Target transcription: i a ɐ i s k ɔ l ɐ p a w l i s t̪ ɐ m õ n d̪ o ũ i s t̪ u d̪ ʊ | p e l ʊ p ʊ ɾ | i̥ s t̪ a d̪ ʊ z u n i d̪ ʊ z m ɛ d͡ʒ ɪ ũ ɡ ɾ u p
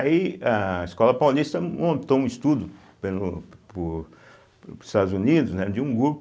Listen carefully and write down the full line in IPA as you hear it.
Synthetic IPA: i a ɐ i s k ɔ l ɐ p a w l i s t̪ ɐ m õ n t̪ o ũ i s t̪ u d̪ ʊ | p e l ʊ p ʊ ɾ | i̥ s t̪ a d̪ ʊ z u n i d̪ ʊ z n ɛ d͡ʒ ɪ ũ ɡ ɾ u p